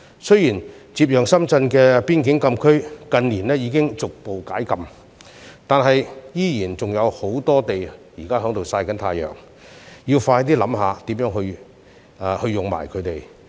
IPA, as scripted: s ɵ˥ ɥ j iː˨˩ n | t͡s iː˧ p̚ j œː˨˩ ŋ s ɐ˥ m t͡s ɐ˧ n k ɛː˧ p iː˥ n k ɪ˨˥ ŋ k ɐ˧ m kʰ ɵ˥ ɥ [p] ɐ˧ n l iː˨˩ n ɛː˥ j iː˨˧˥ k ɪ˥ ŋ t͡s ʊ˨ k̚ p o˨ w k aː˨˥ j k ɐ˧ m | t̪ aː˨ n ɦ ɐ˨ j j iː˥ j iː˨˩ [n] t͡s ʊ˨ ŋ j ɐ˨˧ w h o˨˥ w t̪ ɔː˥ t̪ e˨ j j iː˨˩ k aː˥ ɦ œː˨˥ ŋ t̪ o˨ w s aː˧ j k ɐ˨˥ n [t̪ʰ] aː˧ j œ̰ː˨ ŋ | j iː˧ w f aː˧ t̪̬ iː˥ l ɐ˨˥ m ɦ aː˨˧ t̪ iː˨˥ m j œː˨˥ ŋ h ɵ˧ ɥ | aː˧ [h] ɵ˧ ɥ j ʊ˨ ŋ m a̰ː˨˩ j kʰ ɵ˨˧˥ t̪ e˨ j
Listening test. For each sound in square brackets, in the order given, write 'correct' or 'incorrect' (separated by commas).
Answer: incorrect, correct, correct, correct